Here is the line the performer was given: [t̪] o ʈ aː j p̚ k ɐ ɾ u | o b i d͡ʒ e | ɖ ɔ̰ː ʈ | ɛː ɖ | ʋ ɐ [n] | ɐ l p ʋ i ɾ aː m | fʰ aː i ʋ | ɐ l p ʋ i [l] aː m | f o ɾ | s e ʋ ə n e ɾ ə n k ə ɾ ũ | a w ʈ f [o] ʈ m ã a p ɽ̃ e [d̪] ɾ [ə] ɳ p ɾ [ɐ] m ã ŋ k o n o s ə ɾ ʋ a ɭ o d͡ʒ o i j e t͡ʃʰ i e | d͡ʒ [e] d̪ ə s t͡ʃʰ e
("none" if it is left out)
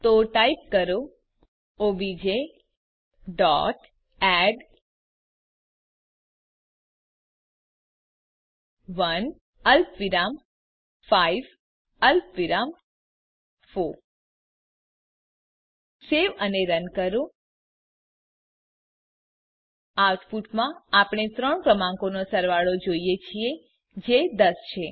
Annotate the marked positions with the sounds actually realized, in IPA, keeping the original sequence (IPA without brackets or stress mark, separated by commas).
t̪, n, ɾ, u, t̪, ə, ə, e